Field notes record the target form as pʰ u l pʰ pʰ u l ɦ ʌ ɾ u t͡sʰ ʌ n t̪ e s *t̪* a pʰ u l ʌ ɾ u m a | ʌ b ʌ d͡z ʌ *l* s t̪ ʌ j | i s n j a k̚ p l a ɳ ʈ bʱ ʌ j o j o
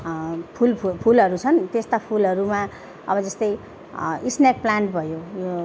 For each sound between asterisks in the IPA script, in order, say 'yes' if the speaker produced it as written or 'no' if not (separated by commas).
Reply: yes, no